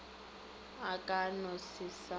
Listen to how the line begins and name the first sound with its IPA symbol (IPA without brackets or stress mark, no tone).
a